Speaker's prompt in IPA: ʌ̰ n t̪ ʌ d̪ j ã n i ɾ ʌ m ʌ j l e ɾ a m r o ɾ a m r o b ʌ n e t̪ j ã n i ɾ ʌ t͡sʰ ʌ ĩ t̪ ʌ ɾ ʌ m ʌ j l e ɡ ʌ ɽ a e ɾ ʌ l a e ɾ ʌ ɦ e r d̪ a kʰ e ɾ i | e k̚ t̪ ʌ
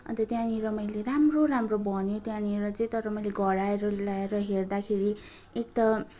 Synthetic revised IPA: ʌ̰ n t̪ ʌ t̪ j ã n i ɾ ʌ m ʌ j l e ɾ a m r o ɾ a m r o b ʌ n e t̪ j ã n i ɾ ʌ t͡s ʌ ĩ t̪ ʌ ɾ ʌ m ʌ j l e ɡ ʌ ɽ a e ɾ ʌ l a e ɾ ʌ ɦ e r d̪ a kʰ e ɾ i | e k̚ t̪ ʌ